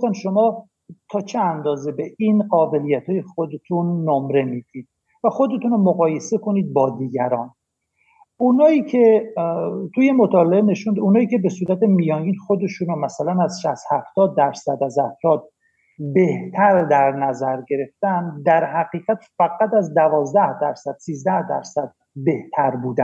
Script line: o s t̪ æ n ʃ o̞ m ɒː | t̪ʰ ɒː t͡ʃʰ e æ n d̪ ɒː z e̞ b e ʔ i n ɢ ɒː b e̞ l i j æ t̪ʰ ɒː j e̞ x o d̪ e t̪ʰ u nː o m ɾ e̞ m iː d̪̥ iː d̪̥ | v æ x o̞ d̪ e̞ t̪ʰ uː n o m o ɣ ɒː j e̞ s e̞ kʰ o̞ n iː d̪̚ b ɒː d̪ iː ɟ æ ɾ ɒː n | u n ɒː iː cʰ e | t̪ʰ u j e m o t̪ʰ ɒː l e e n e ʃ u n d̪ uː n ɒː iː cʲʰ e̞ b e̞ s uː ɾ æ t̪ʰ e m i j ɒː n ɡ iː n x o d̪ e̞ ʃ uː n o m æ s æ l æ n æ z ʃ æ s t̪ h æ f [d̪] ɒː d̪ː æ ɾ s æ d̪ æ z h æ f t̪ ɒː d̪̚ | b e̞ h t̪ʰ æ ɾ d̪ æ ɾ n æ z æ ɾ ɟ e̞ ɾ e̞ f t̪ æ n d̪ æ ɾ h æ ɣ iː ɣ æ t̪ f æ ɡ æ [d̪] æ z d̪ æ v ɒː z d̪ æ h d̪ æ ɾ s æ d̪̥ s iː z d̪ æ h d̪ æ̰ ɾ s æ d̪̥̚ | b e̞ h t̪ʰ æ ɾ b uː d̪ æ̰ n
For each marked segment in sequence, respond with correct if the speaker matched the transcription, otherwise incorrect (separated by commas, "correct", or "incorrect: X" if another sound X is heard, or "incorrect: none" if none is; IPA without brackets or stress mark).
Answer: incorrect: t̪, incorrect: t̪